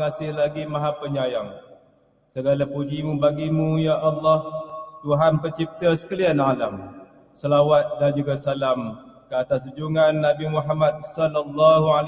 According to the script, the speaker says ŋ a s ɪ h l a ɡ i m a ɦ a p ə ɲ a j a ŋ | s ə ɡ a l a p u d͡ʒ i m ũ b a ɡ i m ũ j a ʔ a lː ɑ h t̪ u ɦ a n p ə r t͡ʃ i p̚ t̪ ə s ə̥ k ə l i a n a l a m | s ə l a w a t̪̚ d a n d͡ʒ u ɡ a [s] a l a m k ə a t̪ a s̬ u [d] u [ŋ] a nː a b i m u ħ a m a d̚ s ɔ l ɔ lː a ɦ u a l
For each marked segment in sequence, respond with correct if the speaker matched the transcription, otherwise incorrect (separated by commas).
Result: correct, incorrect, correct